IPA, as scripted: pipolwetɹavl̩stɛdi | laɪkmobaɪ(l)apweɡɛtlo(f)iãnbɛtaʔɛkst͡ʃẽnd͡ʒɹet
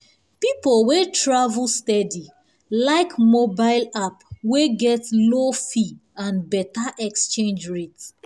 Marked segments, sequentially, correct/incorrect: correct, correct

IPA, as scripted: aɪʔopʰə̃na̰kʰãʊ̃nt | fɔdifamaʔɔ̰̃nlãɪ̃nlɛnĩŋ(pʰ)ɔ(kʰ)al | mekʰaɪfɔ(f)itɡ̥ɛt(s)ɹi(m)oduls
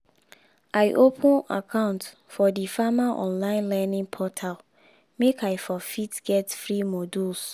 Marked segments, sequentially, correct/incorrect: correct, incorrect, correct, incorrect, correct

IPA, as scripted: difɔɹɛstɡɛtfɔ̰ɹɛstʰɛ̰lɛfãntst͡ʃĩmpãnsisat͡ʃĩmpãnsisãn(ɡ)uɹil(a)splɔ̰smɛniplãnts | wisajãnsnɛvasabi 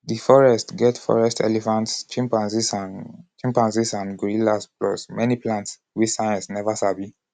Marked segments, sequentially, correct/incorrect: correct, correct

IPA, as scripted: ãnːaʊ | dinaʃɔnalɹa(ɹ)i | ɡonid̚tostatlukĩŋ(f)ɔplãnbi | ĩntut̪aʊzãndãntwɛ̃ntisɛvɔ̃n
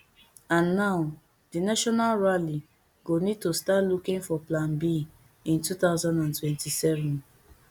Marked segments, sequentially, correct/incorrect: incorrect, correct

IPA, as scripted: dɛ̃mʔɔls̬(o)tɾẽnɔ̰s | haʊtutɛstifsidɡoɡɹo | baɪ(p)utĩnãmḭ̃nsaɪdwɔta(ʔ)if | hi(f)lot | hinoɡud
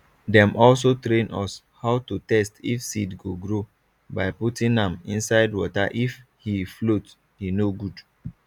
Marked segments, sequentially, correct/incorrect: correct, correct, correct, correct

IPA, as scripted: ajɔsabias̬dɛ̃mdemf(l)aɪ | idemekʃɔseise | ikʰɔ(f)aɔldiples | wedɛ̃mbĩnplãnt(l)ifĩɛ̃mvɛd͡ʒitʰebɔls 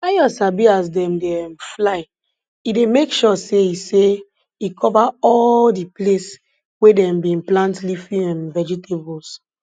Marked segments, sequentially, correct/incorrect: correct, incorrect, correct

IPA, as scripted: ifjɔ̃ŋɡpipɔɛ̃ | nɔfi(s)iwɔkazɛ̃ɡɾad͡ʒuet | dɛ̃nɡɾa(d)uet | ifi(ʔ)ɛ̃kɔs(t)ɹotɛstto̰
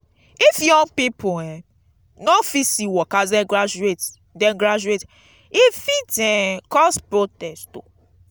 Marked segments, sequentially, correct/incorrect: correct, incorrect, incorrect, incorrect

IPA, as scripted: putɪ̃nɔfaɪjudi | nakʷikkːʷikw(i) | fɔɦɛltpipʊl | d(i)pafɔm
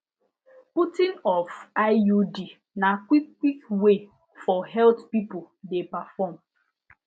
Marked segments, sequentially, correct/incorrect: incorrect, incorrect

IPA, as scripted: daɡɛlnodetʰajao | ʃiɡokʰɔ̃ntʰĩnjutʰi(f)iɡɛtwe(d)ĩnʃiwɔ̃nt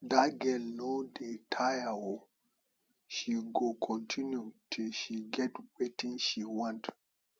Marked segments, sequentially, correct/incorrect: incorrect, incorrect

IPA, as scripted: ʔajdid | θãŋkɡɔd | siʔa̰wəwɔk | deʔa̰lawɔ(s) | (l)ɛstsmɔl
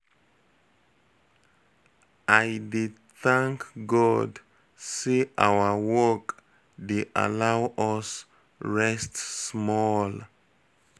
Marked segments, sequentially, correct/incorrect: correct, incorrect

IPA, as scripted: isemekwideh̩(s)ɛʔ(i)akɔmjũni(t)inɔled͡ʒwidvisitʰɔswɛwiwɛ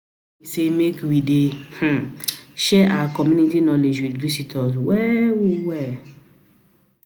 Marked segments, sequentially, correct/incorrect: incorrect, incorrect, correct

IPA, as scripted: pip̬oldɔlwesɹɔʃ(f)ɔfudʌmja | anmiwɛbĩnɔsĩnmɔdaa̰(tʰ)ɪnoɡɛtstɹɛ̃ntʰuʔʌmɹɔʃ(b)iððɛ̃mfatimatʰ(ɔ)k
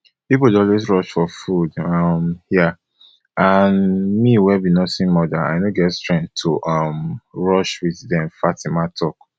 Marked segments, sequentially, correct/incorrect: correct, incorrect, incorrect, correct

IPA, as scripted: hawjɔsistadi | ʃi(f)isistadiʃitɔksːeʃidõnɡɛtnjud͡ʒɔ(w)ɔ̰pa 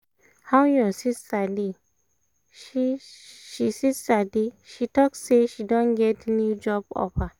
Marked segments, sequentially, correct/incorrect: incorrect, incorrect

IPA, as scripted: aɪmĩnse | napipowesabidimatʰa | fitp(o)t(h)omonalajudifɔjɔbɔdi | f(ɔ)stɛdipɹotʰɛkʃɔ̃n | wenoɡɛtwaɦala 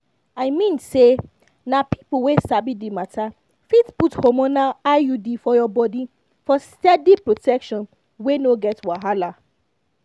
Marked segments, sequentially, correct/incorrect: incorrect, correct, correct

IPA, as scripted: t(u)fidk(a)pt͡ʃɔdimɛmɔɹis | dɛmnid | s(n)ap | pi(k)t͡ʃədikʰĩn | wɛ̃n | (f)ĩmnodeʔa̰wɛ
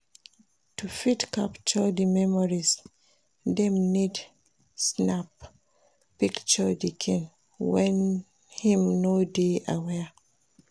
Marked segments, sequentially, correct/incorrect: correct, correct, correct, correct, incorrect

